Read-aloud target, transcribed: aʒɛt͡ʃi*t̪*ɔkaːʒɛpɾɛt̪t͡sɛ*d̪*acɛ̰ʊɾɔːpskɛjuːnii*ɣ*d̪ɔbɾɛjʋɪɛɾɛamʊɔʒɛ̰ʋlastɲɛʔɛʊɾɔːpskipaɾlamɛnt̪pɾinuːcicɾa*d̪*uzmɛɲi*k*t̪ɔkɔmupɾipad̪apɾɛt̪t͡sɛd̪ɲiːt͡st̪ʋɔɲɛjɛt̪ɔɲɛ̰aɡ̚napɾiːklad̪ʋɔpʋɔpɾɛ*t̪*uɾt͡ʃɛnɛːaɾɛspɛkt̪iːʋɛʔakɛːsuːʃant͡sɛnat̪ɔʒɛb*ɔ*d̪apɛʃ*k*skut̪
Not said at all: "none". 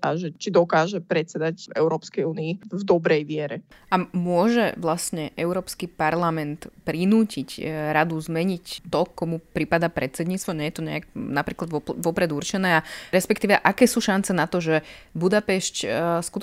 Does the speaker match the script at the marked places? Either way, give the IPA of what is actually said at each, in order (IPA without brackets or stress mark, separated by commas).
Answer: d̪, d̪, v, d̪, c, d̪, u, c